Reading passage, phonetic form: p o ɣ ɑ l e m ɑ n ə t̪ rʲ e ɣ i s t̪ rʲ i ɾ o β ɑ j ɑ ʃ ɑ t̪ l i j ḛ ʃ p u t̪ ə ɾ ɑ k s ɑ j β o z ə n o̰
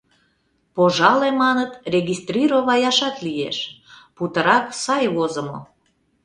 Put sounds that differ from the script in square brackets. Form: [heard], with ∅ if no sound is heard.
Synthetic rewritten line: p o [ʒ] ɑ l e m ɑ n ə t̪ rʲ e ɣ i s t̪ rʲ i ɾ o β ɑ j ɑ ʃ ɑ t̪ l i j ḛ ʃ p u t̪ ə ɾ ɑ k s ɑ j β o z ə [m] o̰